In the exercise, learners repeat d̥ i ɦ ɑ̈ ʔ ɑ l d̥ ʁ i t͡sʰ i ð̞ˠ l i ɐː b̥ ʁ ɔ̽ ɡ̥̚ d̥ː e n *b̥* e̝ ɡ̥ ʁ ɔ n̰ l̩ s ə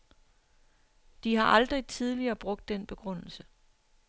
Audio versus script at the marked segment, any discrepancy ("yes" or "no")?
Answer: no